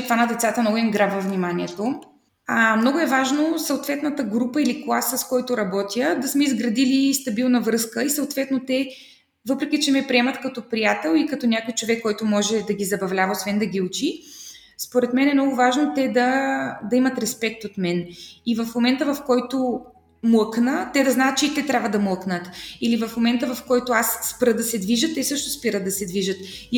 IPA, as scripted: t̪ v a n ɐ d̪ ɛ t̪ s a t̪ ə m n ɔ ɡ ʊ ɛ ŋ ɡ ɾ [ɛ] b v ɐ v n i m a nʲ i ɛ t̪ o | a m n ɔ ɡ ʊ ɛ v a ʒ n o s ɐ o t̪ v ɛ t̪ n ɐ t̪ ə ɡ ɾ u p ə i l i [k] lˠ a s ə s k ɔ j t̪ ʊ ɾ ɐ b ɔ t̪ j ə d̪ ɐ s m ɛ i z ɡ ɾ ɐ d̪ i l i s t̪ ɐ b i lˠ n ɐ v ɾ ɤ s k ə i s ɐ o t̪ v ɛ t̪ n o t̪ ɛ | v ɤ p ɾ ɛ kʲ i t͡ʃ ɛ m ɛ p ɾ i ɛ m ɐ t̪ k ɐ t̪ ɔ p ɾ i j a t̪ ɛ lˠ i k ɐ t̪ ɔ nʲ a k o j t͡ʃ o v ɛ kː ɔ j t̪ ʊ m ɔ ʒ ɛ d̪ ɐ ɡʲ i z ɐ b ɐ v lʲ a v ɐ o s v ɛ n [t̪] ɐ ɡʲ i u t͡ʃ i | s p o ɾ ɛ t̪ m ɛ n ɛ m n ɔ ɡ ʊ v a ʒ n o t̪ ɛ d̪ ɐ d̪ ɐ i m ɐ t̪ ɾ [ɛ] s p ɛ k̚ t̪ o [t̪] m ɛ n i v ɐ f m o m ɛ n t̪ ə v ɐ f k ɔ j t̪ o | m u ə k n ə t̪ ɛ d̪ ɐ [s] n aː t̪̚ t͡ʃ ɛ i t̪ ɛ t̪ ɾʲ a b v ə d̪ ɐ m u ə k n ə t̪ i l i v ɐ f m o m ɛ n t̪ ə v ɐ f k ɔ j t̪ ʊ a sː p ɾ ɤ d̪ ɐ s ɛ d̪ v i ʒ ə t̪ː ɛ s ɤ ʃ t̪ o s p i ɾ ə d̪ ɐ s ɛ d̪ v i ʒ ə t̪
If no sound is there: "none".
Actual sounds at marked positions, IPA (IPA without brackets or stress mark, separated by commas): a, k, d̪, ɛ, t̪, z